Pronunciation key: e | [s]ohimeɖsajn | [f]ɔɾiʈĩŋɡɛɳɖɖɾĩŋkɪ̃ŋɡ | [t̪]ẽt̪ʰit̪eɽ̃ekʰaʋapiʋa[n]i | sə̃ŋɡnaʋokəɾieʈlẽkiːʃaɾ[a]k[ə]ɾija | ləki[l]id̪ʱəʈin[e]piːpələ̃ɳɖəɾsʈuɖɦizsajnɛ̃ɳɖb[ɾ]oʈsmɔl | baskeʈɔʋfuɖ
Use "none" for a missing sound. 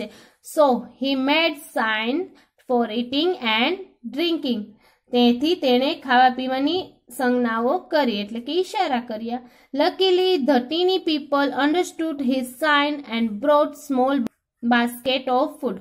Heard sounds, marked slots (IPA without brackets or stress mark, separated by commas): s, f, t̪, n, a, ə, l, i, ɾ